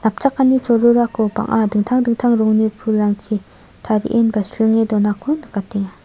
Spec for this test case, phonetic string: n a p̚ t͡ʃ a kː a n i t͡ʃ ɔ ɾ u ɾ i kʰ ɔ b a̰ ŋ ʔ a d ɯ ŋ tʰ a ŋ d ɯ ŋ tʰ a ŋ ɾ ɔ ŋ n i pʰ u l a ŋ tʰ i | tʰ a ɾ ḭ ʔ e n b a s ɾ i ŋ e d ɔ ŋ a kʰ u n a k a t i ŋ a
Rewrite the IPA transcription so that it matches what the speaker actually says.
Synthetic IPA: n a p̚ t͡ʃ a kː a n i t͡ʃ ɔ ɾ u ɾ a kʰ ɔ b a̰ ŋ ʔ a d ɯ ŋ tʰ a ŋ d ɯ ŋ tʰ a ŋ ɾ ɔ ŋ n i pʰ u l a ŋ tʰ i | tʰ a ɾ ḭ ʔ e n b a s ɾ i ŋ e d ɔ n a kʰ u n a k a t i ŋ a